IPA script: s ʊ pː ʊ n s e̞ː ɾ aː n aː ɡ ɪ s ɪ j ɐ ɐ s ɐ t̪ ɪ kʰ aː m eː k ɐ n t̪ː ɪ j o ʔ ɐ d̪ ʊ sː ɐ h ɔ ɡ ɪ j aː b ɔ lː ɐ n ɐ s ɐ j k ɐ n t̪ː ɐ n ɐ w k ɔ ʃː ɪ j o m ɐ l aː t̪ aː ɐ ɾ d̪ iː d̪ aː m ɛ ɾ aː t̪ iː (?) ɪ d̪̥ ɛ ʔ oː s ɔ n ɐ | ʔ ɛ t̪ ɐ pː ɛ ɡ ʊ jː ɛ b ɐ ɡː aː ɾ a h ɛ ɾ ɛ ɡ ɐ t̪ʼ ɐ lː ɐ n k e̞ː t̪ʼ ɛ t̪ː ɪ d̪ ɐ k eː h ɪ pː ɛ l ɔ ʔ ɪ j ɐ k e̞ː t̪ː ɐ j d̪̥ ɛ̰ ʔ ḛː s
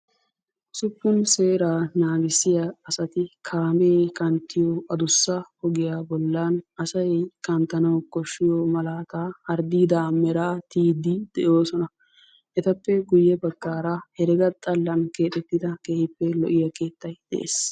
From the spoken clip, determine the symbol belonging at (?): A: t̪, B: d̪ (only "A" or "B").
B